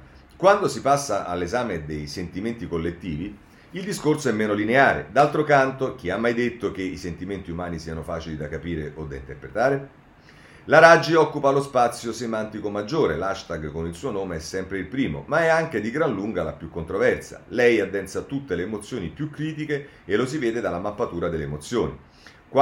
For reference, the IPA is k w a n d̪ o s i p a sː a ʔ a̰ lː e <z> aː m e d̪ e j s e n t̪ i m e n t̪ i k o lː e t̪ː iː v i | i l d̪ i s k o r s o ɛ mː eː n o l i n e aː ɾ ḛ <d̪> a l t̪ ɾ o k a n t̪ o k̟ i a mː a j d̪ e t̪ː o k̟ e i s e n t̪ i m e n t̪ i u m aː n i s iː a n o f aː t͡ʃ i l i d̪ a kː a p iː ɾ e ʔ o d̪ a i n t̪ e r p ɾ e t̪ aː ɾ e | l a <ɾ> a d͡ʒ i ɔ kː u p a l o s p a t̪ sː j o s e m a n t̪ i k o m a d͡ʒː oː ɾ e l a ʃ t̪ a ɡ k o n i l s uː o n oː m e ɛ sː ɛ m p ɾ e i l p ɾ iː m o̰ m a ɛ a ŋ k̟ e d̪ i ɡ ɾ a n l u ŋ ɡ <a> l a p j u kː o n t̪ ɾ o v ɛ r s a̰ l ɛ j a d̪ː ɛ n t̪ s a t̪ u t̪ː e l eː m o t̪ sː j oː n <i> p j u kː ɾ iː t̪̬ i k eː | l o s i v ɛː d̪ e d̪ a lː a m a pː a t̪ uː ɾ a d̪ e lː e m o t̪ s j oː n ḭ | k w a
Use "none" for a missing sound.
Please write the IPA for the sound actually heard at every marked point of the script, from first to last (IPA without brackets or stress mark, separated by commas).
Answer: z, d̪, ɾ, a, i